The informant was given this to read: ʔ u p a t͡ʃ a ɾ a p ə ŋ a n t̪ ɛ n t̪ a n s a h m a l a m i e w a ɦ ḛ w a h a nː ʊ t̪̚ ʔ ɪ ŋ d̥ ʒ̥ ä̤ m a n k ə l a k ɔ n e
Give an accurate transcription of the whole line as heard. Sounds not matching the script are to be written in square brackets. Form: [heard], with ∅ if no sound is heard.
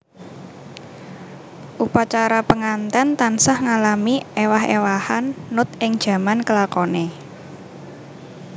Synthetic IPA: ʔ u p a t͡ʃ a ɾ a p ə ŋ a n t̪ ɛ n t̪ a n s a h [ŋ] a l a m i e w a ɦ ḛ w a h a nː ʊ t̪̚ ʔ ɪ ŋ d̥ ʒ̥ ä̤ m a n k ə l a k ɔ n e